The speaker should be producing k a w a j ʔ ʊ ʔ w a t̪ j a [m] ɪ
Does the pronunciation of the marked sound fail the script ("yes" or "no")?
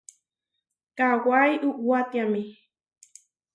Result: no